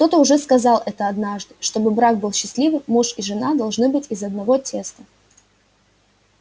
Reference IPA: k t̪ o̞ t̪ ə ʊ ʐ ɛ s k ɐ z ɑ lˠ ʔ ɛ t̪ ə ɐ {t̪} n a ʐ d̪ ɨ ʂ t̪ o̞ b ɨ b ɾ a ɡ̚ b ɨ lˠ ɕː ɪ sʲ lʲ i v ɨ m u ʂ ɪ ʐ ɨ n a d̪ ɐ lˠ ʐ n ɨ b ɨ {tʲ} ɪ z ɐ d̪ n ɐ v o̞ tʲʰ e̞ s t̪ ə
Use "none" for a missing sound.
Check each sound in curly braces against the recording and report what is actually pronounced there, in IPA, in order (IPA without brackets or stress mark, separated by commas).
d̪, tʲ